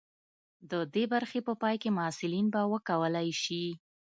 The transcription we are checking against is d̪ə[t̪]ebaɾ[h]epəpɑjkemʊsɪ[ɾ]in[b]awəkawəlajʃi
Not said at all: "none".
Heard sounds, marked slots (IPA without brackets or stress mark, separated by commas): d̪, x, l, b